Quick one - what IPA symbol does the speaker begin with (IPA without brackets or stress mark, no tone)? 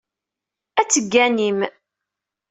æ